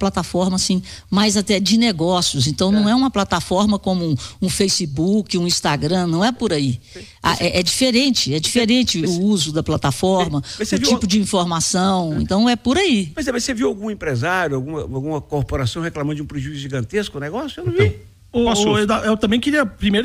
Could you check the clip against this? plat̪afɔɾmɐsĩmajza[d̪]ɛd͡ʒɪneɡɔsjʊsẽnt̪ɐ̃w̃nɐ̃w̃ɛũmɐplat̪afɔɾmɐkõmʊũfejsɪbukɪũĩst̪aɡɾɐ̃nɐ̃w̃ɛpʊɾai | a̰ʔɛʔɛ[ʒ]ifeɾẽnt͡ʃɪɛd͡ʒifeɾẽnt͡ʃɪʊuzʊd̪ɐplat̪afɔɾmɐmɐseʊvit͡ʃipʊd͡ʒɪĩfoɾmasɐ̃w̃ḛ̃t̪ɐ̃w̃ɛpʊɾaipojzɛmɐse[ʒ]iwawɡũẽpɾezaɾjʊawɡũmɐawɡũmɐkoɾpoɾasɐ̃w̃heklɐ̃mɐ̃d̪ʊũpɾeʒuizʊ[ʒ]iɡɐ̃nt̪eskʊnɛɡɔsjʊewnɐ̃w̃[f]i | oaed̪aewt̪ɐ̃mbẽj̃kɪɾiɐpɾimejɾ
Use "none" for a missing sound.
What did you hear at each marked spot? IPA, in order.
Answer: t̪, d͡ʒ, v, ʒ, v

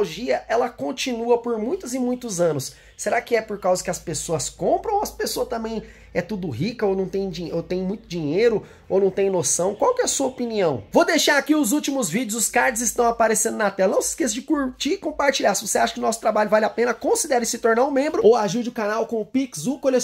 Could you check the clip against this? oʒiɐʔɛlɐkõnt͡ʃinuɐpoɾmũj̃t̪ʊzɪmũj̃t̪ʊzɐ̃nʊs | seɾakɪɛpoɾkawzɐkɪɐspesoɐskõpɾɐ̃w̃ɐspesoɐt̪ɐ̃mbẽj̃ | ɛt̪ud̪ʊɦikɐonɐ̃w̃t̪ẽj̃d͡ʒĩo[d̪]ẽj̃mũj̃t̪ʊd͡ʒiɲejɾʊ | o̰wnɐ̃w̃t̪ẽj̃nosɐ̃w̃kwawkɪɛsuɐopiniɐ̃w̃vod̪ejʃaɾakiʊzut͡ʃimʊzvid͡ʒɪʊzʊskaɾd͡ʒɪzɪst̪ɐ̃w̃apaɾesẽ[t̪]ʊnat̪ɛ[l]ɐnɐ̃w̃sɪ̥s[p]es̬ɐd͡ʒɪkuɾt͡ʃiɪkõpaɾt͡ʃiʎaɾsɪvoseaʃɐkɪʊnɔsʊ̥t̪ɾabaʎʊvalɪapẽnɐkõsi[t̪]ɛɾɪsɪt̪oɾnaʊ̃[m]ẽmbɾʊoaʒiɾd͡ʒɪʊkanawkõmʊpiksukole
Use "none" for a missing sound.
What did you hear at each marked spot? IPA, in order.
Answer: t̪, d̪, l, k, d̪, m

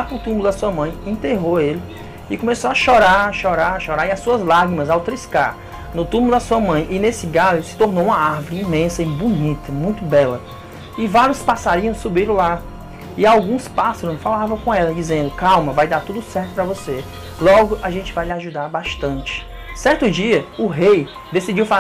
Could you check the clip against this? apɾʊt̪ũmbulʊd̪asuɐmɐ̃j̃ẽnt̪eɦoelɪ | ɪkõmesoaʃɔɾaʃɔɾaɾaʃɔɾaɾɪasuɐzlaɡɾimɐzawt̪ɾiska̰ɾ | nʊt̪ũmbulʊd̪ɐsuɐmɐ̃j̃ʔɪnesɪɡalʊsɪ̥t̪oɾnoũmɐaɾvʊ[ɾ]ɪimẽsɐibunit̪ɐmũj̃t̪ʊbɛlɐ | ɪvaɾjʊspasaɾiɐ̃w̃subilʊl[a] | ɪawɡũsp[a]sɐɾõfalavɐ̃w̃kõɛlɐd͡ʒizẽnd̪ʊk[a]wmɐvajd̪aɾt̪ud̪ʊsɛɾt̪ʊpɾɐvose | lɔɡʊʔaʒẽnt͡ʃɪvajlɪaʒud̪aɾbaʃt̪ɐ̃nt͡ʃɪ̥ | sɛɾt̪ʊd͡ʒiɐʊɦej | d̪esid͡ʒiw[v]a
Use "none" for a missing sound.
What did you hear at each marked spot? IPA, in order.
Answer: ɾ, a, a, a, f

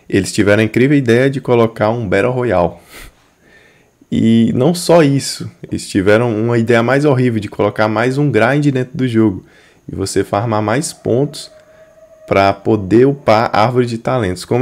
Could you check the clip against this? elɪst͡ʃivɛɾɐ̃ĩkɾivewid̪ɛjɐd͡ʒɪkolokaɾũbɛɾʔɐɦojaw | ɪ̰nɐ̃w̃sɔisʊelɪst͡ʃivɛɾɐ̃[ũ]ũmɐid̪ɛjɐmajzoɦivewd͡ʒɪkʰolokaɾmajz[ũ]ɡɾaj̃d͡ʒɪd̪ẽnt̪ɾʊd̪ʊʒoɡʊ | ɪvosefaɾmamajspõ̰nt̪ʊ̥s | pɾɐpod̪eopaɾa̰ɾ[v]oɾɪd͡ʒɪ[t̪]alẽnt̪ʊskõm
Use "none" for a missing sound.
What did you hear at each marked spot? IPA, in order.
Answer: w̃, ũ, v, t̪

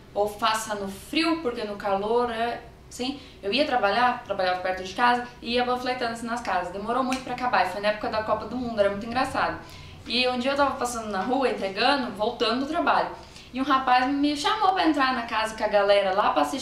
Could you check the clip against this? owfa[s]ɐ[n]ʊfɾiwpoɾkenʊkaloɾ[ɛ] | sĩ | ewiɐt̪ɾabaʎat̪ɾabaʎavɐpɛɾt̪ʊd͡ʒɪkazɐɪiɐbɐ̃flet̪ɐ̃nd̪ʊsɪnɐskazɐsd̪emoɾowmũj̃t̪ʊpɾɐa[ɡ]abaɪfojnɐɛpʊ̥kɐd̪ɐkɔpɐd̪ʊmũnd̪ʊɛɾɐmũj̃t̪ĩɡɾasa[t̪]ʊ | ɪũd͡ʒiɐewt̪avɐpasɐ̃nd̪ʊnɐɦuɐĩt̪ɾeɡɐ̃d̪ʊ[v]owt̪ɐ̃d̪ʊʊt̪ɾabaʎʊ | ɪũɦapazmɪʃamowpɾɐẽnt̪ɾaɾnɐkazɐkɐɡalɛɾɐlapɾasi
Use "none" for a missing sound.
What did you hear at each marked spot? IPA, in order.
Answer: s, n, ɛ, k, d̪, v

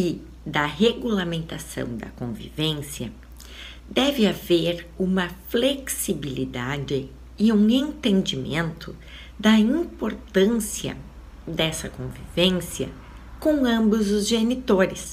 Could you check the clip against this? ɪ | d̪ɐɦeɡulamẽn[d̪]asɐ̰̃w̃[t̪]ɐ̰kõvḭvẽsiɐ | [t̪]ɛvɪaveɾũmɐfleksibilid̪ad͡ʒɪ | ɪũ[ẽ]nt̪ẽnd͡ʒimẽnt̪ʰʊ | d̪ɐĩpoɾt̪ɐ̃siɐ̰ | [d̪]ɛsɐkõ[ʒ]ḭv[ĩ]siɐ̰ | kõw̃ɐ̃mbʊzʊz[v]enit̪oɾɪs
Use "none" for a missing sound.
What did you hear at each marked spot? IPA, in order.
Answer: t̪, d̪, d̪, ẽ, d̪, v, ẽ, ʒ

